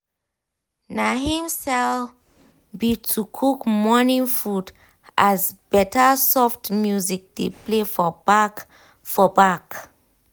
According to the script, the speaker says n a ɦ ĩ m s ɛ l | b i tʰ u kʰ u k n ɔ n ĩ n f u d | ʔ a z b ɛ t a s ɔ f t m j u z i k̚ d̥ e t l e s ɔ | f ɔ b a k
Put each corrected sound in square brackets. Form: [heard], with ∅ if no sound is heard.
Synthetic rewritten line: n a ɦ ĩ m s ɛ l | b i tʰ u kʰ u k [m] ɔ n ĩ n f u d | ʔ a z b ɛ t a s ɔ f t m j u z i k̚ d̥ e [p] l e [f] ɔ | f ɔ b a k